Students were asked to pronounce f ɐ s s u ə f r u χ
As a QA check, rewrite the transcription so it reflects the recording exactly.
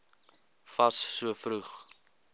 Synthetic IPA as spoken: f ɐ s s u ə f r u χ